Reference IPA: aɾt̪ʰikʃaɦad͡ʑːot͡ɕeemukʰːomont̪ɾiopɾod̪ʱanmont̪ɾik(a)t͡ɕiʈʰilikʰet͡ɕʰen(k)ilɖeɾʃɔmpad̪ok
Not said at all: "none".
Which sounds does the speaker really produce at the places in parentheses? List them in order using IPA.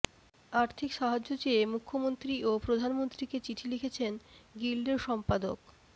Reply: e, ɡ

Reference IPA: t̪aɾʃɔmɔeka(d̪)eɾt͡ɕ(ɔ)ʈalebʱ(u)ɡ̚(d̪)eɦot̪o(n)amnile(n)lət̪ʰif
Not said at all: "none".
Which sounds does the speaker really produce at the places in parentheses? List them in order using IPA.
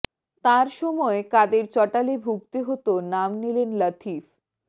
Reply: d̪, ɔ, u, t̪, n, n

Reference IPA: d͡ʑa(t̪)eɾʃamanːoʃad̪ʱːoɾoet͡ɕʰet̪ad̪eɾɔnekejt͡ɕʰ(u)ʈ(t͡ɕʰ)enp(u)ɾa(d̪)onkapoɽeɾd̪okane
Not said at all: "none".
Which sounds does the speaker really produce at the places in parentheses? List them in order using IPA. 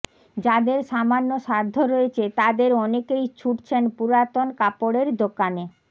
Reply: d̪, u, t͡ɕʰ, u, t̪

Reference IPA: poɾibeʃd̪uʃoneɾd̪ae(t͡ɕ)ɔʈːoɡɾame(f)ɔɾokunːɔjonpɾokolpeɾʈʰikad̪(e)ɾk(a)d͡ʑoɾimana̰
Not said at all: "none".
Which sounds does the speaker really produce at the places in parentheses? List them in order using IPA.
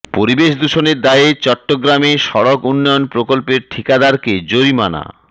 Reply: t͡ɕ, ʃ, a, e

